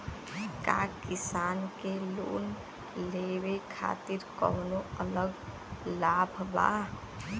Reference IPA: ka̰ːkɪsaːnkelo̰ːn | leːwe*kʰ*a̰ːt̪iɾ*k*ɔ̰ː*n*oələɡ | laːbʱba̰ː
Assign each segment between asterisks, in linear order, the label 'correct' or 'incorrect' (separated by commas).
correct, correct, correct